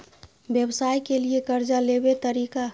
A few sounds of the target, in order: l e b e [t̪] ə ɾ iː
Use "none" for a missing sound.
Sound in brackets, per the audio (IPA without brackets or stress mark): t̪